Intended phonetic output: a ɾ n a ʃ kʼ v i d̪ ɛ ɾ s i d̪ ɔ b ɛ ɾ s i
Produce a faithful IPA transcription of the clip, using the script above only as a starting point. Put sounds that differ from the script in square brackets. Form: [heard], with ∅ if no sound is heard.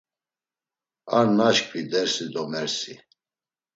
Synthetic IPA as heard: a ɾ n a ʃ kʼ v i d̪ ɛ ɾ s i d̪ ɔ [m] ɛ ɾ s i